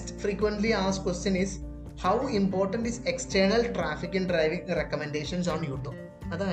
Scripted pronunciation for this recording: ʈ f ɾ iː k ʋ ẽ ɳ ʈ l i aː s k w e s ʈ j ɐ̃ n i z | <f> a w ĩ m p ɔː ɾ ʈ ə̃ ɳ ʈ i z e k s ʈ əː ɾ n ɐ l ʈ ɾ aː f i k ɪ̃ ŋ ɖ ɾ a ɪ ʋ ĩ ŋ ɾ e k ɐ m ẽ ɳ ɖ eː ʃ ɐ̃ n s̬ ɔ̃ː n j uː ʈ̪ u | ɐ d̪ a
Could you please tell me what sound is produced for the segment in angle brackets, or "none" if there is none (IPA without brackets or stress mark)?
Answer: h